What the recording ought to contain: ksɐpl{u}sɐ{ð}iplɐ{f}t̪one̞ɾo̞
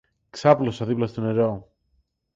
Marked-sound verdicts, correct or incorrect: incorrect: o, correct, incorrect: s

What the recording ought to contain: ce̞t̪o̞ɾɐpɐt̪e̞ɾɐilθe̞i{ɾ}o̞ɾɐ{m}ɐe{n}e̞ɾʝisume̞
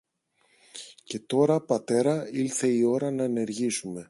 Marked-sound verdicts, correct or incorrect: incorrect: none, incorrect: n, correct

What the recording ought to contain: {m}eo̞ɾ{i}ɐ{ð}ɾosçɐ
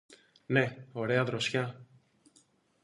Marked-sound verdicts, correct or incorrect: incorrect: n, incorrect: e, correct

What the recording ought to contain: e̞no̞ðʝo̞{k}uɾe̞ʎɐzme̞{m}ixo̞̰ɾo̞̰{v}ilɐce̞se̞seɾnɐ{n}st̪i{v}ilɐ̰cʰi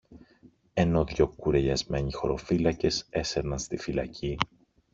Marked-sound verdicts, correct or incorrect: correct, incorrect: ɲ, incorrect: f, correct, incorrect: f

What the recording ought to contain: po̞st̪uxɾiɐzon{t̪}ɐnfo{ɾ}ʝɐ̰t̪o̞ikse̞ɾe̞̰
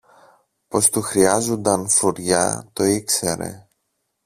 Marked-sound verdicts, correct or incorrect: incorrect: d̪, correct

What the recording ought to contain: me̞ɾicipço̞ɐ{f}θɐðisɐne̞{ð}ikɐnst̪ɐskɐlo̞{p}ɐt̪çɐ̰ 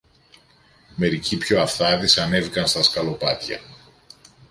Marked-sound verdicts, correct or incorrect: correct, incorrect: v, correct

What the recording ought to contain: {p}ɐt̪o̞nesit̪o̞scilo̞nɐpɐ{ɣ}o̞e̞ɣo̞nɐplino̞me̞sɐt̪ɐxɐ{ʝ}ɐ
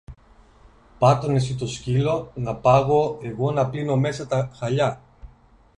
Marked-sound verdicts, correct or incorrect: correct, correct, incorrect: ʎ

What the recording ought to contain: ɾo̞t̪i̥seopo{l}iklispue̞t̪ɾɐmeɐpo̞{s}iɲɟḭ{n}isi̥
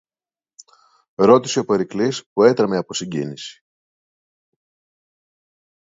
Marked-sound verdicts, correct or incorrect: incorrect: ɾ, correct, correct

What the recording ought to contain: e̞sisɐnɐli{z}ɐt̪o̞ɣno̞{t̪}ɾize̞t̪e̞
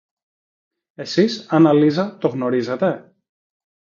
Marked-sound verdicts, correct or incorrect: correct, incorrect: none

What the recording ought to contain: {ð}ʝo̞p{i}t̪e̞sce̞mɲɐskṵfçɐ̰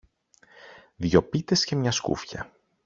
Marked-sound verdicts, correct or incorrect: correct, correct

